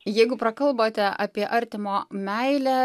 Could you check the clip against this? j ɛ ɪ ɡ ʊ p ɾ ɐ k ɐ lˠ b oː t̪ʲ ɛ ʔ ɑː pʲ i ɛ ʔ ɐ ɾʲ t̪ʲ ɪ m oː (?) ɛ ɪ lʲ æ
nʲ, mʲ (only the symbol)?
mʲ